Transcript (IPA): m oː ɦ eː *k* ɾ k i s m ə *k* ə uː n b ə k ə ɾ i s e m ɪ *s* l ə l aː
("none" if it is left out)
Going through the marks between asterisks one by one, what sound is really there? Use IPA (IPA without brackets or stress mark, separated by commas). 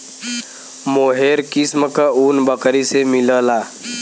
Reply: none, k, none